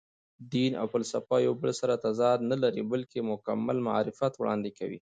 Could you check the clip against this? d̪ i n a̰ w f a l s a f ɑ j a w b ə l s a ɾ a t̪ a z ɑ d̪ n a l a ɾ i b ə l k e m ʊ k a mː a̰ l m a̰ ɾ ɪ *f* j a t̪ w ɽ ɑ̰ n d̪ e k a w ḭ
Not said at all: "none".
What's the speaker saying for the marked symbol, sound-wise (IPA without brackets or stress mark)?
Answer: f